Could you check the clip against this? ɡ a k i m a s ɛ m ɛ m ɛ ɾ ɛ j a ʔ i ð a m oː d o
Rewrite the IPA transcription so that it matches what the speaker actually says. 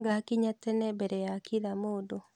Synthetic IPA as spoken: ɡ a k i ɲ a t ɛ n ɛ b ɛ ɾ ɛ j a k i ð a m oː d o